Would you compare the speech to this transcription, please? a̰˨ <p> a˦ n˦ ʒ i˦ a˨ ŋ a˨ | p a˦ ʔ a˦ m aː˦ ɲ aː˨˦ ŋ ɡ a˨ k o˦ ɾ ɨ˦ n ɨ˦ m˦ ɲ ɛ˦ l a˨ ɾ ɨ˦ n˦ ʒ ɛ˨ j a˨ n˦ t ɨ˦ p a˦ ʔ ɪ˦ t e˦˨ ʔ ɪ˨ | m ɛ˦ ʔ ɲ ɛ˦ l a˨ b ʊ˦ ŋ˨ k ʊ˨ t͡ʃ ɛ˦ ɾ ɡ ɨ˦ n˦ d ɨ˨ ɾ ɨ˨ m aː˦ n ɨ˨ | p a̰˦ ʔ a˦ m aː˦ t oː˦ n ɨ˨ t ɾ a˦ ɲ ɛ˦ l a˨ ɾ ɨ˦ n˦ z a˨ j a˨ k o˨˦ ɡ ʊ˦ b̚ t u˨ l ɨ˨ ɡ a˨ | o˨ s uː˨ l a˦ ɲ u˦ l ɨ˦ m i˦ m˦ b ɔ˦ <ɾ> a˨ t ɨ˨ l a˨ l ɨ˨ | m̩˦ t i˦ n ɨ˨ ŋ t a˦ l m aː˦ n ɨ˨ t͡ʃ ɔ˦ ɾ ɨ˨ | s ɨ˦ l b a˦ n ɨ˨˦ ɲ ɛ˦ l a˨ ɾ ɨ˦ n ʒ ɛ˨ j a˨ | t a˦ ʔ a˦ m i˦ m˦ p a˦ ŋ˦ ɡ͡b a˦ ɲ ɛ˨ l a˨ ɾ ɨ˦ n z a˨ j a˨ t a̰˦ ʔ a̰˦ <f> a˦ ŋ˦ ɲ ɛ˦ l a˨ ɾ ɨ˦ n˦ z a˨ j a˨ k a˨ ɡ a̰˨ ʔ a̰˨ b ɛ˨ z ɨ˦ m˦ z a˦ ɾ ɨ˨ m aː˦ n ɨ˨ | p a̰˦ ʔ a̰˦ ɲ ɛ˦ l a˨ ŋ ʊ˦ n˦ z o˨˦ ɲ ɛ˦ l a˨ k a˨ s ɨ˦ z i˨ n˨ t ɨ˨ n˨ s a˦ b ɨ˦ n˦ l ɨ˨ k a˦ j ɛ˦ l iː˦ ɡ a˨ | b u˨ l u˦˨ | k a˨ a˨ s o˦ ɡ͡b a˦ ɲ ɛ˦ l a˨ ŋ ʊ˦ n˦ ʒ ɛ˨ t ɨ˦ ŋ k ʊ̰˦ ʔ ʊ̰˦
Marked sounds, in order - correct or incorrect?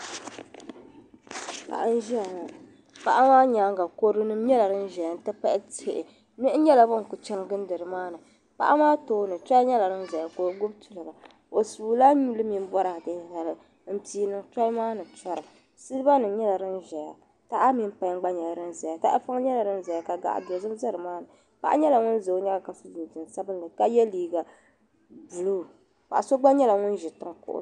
incorrect: ʔ, correct, correct

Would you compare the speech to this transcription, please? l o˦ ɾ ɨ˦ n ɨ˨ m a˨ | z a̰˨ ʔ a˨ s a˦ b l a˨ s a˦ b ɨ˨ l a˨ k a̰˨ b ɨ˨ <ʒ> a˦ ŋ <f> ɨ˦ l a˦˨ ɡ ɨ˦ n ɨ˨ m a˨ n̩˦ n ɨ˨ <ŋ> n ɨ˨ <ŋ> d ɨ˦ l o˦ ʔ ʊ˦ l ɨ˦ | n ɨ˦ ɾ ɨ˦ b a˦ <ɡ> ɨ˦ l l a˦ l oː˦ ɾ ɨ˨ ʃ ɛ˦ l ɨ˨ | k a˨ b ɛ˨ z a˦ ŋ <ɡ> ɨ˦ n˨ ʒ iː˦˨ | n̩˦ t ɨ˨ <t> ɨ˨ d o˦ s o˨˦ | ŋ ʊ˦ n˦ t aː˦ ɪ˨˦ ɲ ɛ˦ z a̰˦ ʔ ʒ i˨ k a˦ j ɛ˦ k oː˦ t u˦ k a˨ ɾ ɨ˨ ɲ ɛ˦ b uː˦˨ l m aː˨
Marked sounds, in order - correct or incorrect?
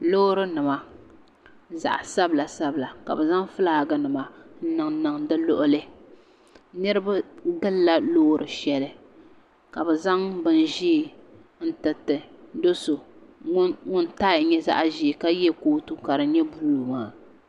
incorrect: z, correct, correct, correct, correct, incorrect: b, correct

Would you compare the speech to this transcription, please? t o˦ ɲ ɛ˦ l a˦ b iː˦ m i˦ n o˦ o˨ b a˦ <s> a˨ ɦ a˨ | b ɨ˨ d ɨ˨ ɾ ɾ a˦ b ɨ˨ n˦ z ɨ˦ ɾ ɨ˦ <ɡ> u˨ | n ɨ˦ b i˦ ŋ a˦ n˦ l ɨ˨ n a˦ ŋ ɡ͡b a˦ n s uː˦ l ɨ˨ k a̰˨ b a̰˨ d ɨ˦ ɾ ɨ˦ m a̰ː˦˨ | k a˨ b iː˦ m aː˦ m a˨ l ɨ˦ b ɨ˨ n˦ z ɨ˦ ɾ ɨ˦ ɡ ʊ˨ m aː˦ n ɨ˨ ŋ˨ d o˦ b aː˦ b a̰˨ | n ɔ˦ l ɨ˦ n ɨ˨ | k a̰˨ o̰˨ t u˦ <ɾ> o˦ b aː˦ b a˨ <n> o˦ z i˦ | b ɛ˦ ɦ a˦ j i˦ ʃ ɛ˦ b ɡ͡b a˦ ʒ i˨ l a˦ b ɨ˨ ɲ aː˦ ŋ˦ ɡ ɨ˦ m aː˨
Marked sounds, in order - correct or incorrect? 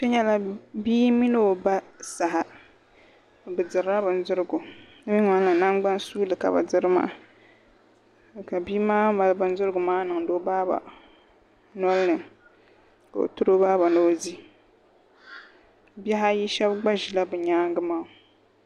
correct, correct, correct, correct

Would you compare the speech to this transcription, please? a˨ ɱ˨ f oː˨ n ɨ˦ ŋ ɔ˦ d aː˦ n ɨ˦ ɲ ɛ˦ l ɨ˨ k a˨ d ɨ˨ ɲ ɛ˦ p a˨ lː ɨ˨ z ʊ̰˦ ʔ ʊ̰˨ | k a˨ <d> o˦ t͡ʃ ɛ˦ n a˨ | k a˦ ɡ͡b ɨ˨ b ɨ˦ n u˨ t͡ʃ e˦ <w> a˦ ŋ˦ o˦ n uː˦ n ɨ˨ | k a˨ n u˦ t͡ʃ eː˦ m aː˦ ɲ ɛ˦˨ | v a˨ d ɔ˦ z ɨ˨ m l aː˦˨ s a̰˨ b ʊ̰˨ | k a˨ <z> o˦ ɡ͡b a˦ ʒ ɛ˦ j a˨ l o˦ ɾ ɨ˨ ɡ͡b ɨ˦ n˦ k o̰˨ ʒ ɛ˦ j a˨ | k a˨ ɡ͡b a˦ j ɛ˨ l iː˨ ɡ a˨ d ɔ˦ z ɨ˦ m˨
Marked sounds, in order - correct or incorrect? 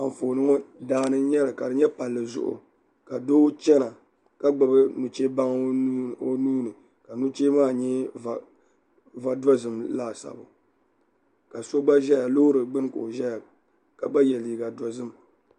correct, incorrect: b, incorrect: s

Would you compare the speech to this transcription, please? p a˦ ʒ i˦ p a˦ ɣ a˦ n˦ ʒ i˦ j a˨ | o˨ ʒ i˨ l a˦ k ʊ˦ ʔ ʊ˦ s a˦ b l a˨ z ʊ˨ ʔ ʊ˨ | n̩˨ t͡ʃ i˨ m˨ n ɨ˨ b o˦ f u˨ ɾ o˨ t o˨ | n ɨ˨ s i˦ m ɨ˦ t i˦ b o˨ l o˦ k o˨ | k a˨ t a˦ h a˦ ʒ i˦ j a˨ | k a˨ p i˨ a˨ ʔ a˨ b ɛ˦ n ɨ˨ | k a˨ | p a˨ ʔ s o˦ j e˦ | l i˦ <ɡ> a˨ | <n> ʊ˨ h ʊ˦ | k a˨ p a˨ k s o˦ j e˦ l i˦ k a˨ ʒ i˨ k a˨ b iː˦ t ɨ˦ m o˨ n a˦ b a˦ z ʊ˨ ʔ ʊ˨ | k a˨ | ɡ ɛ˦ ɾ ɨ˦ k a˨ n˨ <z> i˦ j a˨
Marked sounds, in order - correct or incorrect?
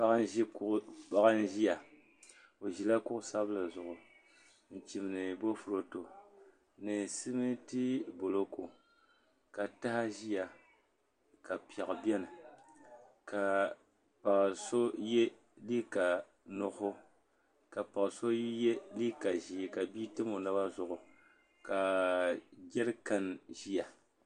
incorrect: k, correct, incorrect: ʒ

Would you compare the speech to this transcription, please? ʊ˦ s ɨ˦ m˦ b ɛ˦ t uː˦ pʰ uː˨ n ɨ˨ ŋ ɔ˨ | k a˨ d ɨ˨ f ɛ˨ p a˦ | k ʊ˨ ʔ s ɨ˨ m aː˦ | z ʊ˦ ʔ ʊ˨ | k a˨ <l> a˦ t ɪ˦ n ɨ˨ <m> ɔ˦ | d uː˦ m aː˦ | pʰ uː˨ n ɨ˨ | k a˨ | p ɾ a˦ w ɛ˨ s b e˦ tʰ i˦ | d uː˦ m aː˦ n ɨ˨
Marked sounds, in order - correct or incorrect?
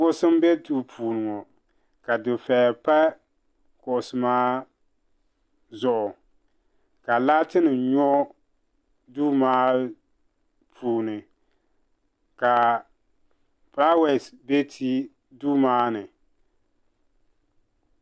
correct, incorrect: ɲ

